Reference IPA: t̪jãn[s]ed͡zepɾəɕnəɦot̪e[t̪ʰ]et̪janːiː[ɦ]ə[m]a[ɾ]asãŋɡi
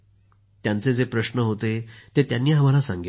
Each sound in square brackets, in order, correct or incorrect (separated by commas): incorrect, incorrect, correct, correct, incorrect